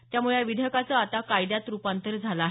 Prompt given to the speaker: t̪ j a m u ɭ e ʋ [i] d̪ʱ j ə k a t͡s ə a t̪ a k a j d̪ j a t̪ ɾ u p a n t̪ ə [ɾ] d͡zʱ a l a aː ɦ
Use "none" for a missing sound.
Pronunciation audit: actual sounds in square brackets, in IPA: i, ɾ

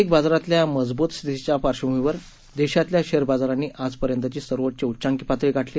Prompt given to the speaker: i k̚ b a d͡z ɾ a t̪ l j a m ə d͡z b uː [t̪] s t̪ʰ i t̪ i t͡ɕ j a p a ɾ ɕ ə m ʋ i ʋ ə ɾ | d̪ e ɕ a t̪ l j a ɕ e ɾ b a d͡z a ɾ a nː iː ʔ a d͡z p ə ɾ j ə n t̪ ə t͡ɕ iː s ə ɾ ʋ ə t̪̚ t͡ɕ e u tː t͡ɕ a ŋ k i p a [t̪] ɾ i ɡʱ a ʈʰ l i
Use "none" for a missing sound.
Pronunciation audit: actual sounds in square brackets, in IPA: t̪, t̪

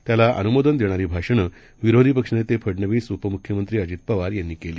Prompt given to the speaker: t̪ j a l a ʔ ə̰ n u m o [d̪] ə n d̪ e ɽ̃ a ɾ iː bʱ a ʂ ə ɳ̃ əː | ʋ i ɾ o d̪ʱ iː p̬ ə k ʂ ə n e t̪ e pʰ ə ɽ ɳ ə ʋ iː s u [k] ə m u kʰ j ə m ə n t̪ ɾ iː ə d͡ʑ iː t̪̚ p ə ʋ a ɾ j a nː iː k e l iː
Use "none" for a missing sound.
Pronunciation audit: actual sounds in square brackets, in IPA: d̪, p

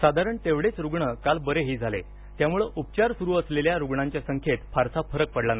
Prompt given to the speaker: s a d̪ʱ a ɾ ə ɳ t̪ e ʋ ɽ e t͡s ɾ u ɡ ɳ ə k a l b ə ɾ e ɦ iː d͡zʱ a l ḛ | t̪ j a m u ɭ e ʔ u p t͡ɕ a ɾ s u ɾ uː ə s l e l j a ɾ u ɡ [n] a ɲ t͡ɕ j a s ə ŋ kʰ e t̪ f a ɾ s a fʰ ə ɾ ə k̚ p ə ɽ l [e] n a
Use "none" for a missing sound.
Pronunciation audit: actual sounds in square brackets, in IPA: ɳ, a

